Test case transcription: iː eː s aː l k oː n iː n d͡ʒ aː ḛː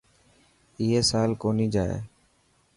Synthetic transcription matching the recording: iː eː s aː l k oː n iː d͡ʒ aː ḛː